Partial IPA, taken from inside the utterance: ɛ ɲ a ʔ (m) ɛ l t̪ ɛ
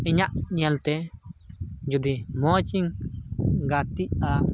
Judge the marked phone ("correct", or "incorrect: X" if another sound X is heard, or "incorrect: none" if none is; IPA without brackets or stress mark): incorrect: ɲ